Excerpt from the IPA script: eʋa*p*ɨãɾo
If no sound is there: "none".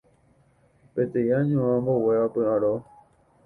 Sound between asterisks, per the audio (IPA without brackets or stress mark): p